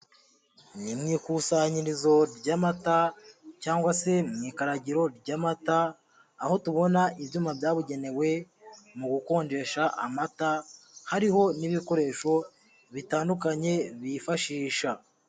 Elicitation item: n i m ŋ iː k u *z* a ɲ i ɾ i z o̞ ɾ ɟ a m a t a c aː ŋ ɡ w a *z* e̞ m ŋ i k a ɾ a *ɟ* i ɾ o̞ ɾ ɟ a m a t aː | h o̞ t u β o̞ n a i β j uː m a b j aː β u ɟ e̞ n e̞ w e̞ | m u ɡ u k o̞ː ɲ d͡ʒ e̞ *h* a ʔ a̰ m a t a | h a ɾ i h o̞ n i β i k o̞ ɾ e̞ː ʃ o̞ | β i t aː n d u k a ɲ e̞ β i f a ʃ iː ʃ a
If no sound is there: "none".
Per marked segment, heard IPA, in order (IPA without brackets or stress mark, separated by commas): s, s, ɟ, ʃ